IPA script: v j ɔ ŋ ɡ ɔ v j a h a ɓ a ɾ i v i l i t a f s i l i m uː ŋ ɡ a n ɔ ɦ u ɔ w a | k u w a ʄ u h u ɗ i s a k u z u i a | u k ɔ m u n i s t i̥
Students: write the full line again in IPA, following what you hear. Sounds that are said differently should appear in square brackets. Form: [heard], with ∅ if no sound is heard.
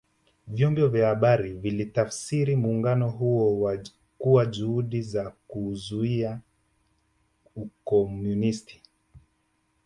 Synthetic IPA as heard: v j ɔ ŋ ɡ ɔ v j a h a ɓ a ɾ i v i l i t a f s i [ɾ] i m uː ŋ ɡ a n ɔ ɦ u ɔ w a | k u w a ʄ u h u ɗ i [z] a k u z u i a | u k ɔ m u n i s t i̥